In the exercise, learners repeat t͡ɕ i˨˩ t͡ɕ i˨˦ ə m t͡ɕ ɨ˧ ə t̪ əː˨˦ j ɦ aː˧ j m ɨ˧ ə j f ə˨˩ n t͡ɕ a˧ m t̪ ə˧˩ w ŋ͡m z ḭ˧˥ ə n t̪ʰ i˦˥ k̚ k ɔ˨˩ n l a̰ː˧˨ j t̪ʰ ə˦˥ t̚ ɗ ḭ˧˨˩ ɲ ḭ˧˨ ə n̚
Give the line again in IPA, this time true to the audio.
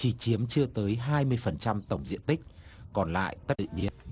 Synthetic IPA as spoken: t͡ɕ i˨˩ t͡ɕ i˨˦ ə m t͡ɕ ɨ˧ ə t̪ əː˨˦ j ɦ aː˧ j m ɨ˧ ə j f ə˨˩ n t͡ɕ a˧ m t̪ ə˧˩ w ŋ͡m z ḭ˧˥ ə n t̪ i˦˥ k̚ k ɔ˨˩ n l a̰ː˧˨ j t̪ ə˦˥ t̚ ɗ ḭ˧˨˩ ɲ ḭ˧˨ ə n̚